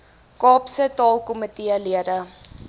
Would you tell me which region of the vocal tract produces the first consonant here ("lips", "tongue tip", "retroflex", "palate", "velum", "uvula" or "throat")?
velum